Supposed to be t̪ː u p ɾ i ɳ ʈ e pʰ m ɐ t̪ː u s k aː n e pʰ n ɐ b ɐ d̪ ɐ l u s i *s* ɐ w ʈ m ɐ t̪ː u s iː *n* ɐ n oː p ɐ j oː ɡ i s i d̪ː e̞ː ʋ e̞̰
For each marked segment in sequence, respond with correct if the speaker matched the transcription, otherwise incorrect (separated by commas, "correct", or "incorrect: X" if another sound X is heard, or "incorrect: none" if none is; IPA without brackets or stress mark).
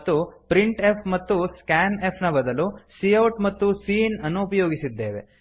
incorrect: none, correct